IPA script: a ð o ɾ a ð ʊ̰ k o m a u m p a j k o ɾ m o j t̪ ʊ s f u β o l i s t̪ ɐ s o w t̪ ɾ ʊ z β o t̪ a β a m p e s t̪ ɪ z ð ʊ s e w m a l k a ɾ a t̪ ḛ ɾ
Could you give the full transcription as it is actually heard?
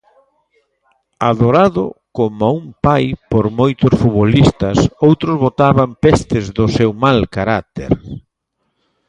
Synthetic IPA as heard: a ð o ɾ a ð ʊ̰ k o m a u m p a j p o ɾ m o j t̪ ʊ s f u β o l i s t̪ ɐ s o w t̪ ɾ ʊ z β o t̪ a β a m p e s t̪ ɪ z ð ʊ s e w m a l k a ɾ a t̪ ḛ ɾ